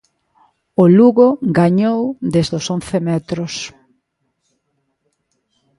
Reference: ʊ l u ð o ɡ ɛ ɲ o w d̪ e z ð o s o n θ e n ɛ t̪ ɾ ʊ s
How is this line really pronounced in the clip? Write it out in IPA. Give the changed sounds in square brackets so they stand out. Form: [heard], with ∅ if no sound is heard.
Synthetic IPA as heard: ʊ l u [ɣ] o ɡ [a] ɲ o w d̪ e z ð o s o n θ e [m] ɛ t̪ ɾ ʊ s